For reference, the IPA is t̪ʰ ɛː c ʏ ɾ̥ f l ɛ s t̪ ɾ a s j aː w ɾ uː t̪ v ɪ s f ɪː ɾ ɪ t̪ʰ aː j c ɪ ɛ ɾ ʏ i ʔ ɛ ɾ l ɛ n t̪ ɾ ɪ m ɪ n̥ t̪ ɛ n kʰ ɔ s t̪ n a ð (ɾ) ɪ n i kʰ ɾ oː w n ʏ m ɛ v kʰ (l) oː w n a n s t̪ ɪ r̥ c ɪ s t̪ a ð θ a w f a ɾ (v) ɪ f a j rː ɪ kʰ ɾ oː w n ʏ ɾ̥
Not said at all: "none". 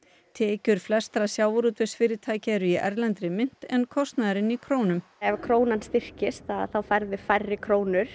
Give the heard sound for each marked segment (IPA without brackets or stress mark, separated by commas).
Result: ɾ, ɾ, ð